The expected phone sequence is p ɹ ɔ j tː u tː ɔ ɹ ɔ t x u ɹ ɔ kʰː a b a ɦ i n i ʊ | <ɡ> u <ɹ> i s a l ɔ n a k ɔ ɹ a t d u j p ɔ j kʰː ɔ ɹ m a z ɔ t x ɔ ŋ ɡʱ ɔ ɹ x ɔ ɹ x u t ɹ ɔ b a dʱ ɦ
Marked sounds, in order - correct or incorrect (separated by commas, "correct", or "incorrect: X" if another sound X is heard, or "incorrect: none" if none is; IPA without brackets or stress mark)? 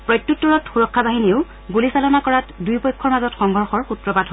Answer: correct, incorrect: l